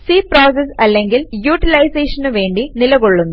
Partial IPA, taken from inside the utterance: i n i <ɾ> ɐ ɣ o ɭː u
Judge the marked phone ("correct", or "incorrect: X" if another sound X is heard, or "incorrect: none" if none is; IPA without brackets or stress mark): incorrect: l